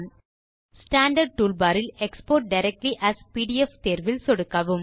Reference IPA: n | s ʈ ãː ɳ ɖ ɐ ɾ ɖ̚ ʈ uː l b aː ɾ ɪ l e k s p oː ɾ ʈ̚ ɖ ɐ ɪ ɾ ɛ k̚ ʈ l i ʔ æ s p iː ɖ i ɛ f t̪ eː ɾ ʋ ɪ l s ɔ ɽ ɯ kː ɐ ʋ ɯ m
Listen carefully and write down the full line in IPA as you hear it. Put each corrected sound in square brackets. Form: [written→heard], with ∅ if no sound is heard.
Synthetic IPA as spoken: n | s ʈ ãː ɳ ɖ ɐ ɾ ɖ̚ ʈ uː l b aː ɾ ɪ l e k s p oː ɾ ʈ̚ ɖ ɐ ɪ ɾ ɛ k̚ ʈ l i ʔ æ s p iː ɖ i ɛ f t̪ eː ɾ ʋ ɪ l s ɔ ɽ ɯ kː ɐ ʋ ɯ m

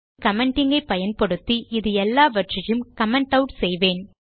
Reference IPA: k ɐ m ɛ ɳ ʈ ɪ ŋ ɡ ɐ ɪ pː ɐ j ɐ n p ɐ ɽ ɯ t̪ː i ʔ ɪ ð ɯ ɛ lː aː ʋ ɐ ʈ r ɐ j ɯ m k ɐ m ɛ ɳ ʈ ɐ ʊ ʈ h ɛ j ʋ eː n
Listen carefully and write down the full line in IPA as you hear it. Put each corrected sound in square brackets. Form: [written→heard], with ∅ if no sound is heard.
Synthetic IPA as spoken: k ɐ m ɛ ɳ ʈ ɪ ŋ ɡ ɐ ɪ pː ɐ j ɐ n p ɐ ɽ ɯ t̪ː i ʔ ɪ ð ɯ ɛ lː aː ʋ ɐ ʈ r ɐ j ɯ m k ɐ m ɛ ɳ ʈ ɐ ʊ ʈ [h→s] ɛ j ʋ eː n

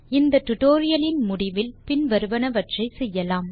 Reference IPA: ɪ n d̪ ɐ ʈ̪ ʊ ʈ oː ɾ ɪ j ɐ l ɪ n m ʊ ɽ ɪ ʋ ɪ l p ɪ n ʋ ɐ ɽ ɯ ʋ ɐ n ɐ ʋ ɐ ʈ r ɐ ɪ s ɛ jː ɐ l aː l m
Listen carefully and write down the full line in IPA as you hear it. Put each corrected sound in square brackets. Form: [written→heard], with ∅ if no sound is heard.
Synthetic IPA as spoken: ɪ n d̪ ɐ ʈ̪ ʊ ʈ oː ɾ ɪ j ɐ l ɪ n m ʊ ɽ ɪ ʋ ɪ l p ɪ n ʋ ɐ [ɽ→ɾ] ɯ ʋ ɐ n ɐ ʋ ɐ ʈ r ɐ ɪ s ɛ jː ɐ l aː [l→∅] m

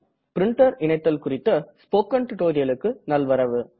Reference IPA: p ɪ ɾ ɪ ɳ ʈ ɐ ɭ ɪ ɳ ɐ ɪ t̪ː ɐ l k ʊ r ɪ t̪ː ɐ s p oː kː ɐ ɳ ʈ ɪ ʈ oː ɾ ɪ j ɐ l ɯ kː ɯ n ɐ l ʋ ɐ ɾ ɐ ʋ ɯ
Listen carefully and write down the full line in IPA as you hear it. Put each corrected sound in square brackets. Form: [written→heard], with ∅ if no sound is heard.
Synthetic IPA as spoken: p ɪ ɾ ɪ ɳ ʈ ɐ [ɭ→ɾ] ɪ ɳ ɐ ɪ t̪ː ɐ l k ʊ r ɪ t̪ː ɐ s p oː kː ɐ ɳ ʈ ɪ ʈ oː ɾ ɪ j ɐ l ɯ kː ɯ n ɐ l ʋ ɐ ɾ ɐ ʋ ɯ

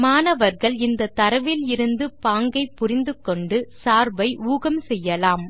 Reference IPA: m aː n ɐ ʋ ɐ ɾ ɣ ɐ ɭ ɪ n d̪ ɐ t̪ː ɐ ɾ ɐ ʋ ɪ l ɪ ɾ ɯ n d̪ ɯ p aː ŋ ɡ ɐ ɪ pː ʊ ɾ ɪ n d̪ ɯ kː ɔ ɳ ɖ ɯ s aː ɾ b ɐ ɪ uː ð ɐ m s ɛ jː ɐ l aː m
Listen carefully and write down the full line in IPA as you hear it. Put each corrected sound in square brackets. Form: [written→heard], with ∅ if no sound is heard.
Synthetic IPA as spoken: m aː n ɐ ʋ ɐ ɾ ɣ ɐ ɭ ɪ n d̪ ɐ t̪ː ɐ ɾ ɐ ʋ ɪ l ɪ ɾ ɯ n d̪ ɯ p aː ŋ ɡ ɐ ɪ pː ʊ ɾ ɪ n d̪ ɯ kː ɔ ɳ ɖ ɯ s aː ɾ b ɐ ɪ uː [ð→ɣ] ɐ m s ɛ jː ɐ l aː m

